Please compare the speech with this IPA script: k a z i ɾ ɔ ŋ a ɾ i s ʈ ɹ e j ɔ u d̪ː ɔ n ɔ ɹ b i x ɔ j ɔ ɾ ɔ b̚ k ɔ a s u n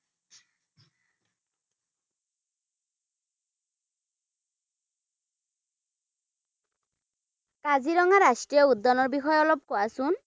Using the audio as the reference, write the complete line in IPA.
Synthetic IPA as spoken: k a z i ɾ ɔ ŋ a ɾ a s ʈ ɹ i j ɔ u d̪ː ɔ n ɔ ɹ b i x ɔ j ɔ l ɔ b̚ k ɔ a s u n